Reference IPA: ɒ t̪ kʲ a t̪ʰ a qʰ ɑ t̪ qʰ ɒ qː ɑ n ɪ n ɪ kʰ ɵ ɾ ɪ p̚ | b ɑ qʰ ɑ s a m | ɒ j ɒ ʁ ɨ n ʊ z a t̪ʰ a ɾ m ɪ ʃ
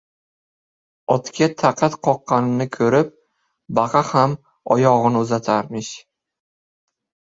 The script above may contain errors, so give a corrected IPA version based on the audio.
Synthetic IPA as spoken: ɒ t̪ kʲ a t̪ʰ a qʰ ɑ t̪ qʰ ɒ qː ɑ n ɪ n ɪ kʰ ɵ ɾ ɪ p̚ | b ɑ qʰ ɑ h a m | ɒ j ɒ ʁ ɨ n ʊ z a t̪ʰ a ɾ m ɪ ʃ